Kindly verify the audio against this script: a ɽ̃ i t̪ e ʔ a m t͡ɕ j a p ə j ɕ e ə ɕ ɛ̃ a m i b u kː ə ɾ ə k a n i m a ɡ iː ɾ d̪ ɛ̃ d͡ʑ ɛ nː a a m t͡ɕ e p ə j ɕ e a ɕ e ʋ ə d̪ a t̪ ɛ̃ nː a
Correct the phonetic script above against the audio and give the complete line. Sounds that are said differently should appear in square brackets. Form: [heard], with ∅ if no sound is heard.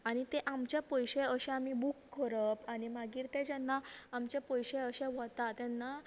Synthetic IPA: a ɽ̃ i t̪ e ʔ a m t͡ɕ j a p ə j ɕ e ə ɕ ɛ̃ a m i b u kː ə ɾ ə [p] a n i m a ɡ iː ɾ [t̪] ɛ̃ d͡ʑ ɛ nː a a m t͡ɕ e p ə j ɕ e [ə] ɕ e ʋ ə [t̪] a t̪ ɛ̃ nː a